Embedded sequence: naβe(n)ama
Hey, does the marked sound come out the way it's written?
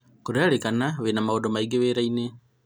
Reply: yes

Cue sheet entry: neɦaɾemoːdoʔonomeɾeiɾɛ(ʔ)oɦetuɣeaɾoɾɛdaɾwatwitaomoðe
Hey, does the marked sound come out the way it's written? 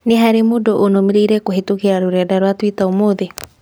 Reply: no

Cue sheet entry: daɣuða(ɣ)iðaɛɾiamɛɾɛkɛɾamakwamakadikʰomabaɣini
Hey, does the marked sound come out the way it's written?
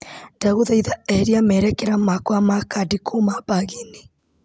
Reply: no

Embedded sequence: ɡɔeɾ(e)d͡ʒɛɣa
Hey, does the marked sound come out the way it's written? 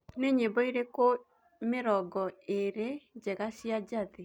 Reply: yes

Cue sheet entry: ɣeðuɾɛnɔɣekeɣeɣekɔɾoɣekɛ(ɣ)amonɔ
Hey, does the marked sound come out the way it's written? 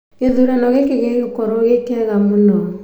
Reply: yes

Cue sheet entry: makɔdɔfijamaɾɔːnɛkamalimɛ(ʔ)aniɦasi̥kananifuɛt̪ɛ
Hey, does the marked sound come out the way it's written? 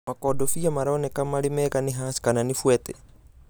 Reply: no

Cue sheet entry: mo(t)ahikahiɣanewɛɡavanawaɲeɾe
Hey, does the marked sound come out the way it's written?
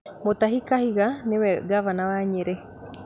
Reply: yes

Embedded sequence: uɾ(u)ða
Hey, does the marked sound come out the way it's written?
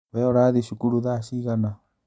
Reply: yes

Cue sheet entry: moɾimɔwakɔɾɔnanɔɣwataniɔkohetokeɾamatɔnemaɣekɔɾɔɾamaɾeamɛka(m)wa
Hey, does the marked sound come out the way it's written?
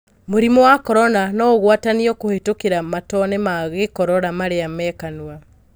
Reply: no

